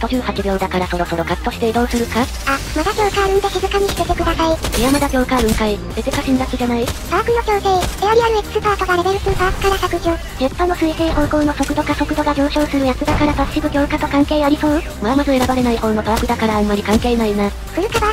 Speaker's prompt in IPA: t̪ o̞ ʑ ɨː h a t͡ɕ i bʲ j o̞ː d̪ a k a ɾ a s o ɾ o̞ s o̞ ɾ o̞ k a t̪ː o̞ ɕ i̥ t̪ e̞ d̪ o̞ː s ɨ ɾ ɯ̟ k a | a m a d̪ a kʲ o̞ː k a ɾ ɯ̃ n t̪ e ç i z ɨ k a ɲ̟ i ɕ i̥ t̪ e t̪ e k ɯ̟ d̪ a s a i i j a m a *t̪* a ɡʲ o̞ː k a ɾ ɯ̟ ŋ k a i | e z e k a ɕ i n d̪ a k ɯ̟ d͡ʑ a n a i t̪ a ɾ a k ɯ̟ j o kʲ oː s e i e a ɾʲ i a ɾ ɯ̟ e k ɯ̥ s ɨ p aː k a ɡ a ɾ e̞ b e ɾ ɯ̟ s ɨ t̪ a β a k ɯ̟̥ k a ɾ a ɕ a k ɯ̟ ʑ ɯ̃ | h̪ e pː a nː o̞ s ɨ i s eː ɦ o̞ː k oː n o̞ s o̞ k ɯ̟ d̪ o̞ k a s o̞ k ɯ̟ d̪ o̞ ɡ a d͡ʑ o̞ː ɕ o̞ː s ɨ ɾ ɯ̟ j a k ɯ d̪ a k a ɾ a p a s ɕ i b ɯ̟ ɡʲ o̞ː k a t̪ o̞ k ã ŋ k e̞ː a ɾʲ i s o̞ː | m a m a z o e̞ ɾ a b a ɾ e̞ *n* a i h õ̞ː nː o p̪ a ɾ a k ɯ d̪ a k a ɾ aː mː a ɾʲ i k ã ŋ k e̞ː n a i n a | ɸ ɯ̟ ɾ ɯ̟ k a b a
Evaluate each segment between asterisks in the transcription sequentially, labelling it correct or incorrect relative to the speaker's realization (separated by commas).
incorrect, correct